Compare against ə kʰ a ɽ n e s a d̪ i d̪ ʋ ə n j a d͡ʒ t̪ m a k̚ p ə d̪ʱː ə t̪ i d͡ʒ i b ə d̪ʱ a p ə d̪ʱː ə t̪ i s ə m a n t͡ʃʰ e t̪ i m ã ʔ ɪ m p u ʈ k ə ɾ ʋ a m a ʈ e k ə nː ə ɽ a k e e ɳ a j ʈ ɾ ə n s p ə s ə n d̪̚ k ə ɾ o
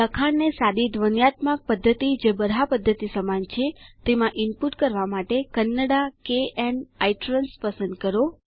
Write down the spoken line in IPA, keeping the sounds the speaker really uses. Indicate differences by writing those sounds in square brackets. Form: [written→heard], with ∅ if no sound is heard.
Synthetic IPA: ə kʰ a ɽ n e s a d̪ i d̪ ʋ ə n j a [d͡ʒ→∅] t̪ m a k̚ p ə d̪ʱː ə t̪ i d͡ʒ [i→e] b ə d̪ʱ a p ə d̪ʱː ə t̪ i s ə m a n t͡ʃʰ e t̪ [i→e] m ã ʔ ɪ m p u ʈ k ə ɾ ʋ a m a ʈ e k ə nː ə ɽ a k e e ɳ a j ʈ ɾ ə n s p ə s ə n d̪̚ k ə ɾ o